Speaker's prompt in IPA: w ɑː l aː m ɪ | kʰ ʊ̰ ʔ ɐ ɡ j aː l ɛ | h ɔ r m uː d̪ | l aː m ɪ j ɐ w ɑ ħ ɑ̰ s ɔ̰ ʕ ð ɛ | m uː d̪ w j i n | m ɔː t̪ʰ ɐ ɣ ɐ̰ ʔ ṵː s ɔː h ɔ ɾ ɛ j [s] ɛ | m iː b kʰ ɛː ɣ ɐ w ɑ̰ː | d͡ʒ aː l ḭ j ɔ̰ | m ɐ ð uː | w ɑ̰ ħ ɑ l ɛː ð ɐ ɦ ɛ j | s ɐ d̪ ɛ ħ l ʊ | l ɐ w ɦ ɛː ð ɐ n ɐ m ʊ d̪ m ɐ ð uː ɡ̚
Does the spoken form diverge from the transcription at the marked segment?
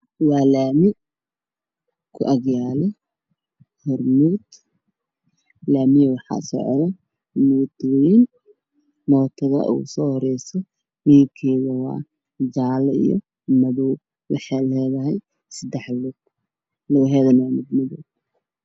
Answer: no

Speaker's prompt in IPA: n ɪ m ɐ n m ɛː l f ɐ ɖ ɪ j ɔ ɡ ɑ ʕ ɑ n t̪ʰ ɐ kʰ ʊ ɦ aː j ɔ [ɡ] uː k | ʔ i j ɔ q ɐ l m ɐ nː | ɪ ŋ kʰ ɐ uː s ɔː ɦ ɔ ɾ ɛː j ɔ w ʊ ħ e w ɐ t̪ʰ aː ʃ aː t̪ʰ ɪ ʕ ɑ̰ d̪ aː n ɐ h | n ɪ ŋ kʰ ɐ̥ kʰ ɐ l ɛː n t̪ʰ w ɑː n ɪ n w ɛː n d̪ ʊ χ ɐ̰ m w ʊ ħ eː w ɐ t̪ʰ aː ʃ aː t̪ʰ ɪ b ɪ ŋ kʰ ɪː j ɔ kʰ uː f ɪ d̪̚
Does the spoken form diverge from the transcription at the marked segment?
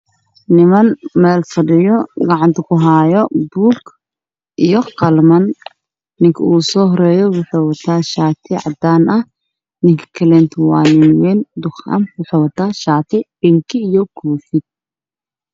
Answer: yes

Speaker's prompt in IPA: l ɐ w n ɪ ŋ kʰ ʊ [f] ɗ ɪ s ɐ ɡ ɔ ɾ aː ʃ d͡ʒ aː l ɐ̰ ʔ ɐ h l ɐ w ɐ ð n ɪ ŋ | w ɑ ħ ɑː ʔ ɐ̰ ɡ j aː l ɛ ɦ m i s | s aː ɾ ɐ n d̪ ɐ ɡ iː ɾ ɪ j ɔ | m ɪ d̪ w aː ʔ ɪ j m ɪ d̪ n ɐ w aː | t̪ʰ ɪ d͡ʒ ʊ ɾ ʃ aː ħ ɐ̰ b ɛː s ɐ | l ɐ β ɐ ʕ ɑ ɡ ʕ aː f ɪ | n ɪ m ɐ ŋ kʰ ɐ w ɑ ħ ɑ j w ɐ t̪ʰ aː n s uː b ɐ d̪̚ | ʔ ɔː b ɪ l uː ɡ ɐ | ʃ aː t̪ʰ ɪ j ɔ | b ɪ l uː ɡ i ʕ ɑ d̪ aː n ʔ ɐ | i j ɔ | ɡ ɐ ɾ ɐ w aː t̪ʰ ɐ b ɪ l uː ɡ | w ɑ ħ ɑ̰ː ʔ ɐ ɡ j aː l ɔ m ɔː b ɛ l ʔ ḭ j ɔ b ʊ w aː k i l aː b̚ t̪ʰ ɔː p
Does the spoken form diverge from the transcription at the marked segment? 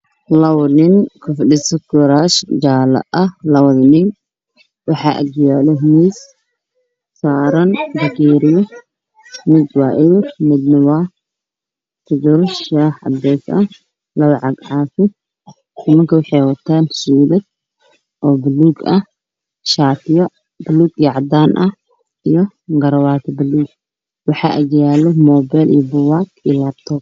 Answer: no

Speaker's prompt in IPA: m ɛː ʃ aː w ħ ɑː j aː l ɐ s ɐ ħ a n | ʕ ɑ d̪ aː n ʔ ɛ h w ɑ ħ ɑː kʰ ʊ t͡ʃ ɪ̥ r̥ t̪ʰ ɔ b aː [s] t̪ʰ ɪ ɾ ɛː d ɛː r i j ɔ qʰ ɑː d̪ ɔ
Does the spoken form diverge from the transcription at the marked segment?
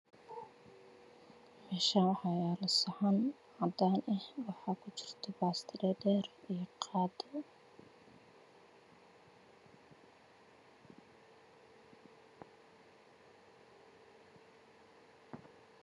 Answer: no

